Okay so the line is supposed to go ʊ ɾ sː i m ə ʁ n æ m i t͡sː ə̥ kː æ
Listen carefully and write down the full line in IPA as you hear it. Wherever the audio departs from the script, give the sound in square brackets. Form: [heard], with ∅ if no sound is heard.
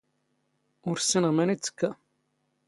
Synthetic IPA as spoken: ʊ ɾ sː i [n] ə ʁ [m] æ [n] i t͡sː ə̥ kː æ